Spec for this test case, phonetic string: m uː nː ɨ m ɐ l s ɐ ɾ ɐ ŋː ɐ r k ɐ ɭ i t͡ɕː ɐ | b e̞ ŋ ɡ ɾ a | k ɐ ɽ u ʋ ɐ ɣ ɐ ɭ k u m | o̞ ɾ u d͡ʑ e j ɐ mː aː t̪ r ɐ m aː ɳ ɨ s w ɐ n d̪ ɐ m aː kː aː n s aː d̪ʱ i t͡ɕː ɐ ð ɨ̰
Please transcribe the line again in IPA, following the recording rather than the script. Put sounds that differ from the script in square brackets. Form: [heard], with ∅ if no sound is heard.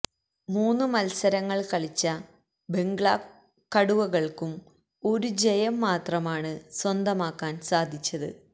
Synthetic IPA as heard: m uː nː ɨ m ɐ l s ɐ ɾ ɐ ŋː ɐ [ɭ] k ɐ ɭ i t͡ɕː ɐ | b e̞ ŋ ɡ [ɭ] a | k ɐ ɽ u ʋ ɐ ɣ ɐ ɭ k u m | o̞ ɾ u d͡ʑ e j ɐ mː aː t̪ r ɐ m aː ɳ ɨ s w ɐ n d̪ ɐ m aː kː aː n s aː d̪ʱ i t͡ɕː ɐ ð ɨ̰